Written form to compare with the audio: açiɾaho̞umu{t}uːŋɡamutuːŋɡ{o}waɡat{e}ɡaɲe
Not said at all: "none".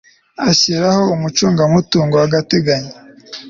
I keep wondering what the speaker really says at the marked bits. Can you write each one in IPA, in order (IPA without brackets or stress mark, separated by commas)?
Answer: t͡ʃ, o, e